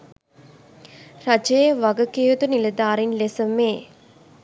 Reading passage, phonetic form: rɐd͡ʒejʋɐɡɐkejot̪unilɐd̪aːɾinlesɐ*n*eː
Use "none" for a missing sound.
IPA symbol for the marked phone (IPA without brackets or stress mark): m